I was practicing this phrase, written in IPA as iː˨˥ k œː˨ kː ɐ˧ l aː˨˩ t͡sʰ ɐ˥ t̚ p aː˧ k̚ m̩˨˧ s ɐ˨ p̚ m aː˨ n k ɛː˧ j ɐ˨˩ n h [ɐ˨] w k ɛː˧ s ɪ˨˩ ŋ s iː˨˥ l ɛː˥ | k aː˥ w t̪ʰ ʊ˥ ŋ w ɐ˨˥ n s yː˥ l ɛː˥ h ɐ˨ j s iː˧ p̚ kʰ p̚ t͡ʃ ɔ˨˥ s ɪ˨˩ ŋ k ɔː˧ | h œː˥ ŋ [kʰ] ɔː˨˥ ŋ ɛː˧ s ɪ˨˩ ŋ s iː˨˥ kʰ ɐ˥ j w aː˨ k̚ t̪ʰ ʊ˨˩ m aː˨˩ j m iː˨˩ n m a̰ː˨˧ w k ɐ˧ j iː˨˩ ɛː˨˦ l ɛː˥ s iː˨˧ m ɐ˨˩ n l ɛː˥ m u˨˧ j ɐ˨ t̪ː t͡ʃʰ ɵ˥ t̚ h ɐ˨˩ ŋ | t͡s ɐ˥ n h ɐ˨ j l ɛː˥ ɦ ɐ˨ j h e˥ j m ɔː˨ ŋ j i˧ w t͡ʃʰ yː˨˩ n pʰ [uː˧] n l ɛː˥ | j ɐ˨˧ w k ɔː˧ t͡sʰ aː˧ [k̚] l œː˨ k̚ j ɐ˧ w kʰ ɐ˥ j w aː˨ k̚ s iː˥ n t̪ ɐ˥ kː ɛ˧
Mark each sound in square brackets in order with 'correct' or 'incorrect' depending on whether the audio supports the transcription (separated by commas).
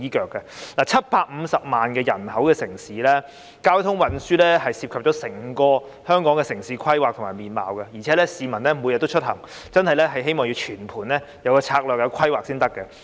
incorrect, incorrect, incorrect, correct